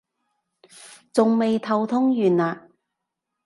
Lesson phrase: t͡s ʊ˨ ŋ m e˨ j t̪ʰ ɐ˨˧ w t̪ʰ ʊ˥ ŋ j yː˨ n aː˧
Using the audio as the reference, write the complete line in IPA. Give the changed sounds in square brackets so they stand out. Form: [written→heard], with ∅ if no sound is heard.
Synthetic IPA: t͡s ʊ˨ ŋ m e˨ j t̪ʰ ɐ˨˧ w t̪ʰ ʊ˥ ŋ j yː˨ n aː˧

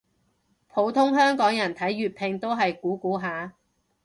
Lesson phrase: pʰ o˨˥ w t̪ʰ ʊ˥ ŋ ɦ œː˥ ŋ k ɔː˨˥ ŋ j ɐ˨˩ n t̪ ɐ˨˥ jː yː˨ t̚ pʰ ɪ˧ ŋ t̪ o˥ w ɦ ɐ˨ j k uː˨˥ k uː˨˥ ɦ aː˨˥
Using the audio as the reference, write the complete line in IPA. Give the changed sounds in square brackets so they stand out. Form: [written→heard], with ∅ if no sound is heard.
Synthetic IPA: pʰ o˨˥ w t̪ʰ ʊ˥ ŋ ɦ œː˥ ŋ k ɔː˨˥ ŋ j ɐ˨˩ n [t̪→t̪ʰ] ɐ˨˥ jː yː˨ t̚ pʰ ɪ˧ ŋ t̪ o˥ w ɦ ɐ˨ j k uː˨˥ k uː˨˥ ɦ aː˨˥

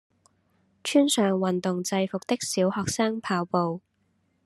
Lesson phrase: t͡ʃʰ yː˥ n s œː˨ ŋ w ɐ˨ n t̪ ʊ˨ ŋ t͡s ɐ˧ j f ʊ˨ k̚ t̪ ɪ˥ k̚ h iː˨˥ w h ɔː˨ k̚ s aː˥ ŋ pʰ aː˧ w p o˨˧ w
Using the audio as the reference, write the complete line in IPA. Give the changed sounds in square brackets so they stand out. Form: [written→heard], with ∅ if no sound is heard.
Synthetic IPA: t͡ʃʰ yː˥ n s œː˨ ŋ w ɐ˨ n t̪ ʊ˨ ŋ t͡s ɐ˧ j f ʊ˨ k̚ t̪ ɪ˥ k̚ [h→s] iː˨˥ w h ɔː˨ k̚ s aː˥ ŋ pʰ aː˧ w p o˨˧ w

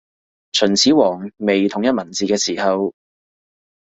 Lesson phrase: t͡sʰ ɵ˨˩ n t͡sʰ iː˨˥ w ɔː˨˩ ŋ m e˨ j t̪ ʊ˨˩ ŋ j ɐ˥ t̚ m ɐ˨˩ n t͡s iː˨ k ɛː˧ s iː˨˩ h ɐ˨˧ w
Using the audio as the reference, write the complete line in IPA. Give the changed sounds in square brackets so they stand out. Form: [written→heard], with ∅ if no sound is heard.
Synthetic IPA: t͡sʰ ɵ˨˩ n t͡sʰ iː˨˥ w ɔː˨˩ ŋ m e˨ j [t̪→t̪ʰ] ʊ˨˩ ŋ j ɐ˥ t̚ m ɐ˨˩ n t͡s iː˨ k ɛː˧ s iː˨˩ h ɐ˨˧ w

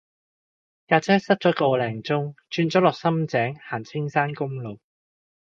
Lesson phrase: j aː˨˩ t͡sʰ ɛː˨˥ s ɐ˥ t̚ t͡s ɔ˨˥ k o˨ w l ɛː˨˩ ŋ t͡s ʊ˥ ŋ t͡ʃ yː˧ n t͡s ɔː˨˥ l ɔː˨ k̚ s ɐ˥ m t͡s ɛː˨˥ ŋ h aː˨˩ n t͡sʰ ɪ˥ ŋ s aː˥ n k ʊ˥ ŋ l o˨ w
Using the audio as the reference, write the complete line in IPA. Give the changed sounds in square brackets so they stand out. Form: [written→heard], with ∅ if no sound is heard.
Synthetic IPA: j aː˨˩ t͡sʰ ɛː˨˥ s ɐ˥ t̚ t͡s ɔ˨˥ k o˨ w l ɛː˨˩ ŋ t͡s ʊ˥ ŋ t͡ʃ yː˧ n t͡s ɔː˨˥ l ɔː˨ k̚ s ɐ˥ m t͡s ɛː˨˥ ŋ h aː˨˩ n t͡sʰ ɪ˥ ŋ s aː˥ n k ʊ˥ ŋ l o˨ w

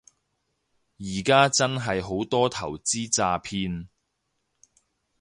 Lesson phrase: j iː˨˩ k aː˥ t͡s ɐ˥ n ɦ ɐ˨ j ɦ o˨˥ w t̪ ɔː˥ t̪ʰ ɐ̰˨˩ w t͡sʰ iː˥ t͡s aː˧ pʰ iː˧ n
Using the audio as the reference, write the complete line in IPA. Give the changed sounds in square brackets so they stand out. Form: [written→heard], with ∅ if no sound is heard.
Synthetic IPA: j iː˨˩ k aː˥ t͡s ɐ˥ n ɦ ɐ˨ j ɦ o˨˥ w t̪ ɔː˥ t̪ʰ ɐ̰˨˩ w [t͡sʰ→t͡s] iː˥ t͡s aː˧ pʰ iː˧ n

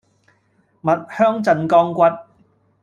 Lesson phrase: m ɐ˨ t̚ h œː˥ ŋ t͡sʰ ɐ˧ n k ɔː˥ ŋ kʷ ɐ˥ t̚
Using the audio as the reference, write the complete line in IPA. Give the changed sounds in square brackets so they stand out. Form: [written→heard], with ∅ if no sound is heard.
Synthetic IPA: m ɐ˨ t̚ h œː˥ ŋ [t͡sʰ→t͡s] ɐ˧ n k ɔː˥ ŋ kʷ ɐ˥ t̚

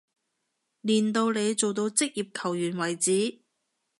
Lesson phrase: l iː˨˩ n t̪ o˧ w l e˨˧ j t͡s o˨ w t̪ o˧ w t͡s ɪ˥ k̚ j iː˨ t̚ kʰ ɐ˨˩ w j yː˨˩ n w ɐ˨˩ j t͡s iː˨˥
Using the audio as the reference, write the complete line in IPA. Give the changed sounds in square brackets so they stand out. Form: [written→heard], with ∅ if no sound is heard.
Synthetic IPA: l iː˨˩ n t̪ o˧ w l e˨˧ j t͡s o˨ w t̪ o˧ w t͡s ɪ˥ k̚ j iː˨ [t̚→p̚] kʰ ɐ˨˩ w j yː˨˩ n w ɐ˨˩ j t͡s iː˨˥

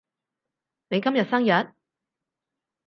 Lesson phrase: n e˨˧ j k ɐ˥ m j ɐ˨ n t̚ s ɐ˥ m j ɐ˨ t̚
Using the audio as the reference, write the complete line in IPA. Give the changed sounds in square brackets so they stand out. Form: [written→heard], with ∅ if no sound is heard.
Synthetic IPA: n e˨˧ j k ɐ˥ m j ɐ˨ [n→∅] t̚ s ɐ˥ [m→ŋ] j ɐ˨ t̚

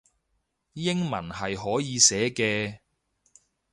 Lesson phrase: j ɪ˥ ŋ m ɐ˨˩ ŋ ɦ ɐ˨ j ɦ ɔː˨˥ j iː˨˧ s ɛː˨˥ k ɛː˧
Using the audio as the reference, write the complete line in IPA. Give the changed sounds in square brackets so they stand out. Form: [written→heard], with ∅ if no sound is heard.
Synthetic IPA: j ɪ˥ ŋ m ɐ˨˩ [ŋ→n] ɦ ɐ˨ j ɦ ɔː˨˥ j iː˨˧ s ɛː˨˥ k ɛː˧

